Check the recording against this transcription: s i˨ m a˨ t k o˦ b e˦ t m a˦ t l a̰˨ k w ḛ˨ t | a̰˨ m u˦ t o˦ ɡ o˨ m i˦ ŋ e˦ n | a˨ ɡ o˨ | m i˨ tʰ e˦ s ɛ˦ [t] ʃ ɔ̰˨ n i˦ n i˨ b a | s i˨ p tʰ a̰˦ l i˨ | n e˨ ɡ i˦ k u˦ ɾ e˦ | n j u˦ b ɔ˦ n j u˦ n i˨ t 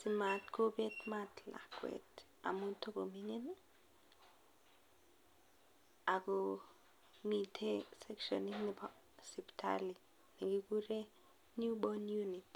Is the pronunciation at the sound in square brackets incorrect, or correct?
incorrect